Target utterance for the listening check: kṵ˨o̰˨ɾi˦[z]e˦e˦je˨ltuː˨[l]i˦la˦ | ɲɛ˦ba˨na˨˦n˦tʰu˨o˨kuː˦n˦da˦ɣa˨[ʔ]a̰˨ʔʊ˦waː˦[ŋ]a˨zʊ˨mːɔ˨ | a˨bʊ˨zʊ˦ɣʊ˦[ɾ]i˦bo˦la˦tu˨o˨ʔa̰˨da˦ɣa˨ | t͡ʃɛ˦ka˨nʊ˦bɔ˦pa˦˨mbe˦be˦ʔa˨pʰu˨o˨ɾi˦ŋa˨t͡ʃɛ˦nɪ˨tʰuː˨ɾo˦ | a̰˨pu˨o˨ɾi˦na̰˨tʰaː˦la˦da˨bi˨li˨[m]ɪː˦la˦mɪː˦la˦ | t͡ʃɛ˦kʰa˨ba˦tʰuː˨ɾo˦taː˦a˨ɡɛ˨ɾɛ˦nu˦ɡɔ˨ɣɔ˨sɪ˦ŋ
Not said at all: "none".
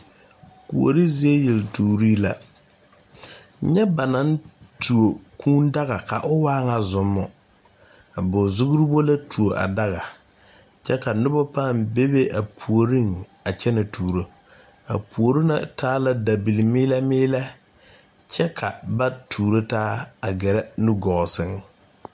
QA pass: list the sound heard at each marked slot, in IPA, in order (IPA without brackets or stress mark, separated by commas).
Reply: z, ɾ, k, ŋ, ɾ, m